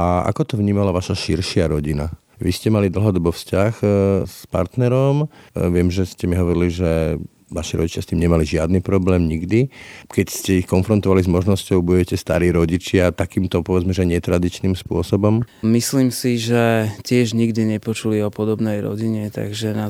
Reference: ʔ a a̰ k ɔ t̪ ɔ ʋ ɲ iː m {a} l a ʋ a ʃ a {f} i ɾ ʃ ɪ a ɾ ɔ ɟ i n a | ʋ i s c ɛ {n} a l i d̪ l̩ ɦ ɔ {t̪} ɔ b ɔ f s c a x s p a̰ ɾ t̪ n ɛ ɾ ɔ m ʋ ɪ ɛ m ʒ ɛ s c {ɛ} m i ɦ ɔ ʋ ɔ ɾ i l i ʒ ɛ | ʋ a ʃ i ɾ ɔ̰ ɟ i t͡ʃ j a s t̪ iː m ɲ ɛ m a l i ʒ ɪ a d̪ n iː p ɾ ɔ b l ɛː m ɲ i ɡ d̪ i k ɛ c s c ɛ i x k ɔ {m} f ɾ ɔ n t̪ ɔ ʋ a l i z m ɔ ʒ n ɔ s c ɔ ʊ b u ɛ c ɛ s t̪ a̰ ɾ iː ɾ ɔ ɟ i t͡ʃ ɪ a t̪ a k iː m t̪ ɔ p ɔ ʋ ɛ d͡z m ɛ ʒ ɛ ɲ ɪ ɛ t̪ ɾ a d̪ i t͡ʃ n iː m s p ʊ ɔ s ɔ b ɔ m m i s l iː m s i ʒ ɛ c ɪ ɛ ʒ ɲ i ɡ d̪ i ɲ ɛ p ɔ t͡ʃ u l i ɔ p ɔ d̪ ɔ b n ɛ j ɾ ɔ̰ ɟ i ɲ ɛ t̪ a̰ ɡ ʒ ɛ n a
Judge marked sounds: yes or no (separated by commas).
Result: yes, no, no, no, yes, no